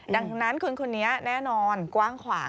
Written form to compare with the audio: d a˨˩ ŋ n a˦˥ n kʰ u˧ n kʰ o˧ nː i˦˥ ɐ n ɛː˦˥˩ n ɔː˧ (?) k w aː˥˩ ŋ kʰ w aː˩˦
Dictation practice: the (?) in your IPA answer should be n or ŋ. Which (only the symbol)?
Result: n